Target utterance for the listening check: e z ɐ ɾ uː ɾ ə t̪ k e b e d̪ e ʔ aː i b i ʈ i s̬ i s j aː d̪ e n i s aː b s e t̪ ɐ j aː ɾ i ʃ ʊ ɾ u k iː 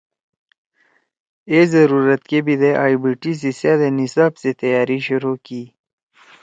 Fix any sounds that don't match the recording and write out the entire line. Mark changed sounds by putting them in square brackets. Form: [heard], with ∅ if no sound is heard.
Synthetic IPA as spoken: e z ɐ ɾ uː ɾ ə t̪ k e b [i] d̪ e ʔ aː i b i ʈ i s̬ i s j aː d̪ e n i s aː b s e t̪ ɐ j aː ɾ i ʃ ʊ ɾ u k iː